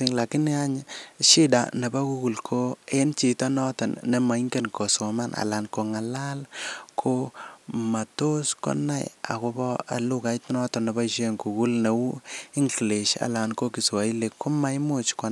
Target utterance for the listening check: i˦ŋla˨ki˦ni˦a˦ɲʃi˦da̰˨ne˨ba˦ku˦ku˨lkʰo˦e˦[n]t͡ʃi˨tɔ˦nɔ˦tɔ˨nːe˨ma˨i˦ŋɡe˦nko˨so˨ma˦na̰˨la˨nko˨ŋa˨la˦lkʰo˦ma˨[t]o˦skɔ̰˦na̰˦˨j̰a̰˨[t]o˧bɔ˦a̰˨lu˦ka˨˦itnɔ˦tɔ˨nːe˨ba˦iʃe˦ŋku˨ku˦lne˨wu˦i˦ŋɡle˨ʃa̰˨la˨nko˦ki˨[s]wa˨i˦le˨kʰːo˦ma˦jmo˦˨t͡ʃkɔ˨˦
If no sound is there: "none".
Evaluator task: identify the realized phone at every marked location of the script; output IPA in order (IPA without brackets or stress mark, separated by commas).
n, t, k, s